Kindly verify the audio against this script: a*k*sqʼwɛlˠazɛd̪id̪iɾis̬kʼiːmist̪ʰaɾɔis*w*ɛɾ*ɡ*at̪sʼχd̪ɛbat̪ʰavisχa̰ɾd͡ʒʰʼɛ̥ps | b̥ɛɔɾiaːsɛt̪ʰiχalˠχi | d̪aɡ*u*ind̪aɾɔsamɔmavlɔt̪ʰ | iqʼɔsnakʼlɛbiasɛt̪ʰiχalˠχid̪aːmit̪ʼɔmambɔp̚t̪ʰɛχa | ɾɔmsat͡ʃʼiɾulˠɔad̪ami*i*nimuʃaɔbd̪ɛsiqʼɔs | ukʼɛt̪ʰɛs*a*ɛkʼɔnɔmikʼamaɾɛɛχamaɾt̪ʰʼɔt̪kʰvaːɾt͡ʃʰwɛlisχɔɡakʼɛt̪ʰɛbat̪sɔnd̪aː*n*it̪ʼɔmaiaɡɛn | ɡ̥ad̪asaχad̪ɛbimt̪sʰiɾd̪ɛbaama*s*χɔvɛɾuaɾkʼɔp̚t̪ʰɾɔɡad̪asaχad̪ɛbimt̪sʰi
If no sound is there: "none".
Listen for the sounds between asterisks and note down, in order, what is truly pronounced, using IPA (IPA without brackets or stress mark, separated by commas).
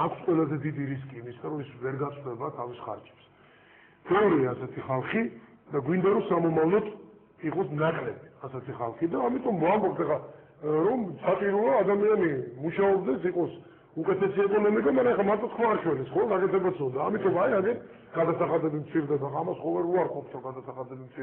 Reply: kʰ, v, ɡ, w, a, i, m, s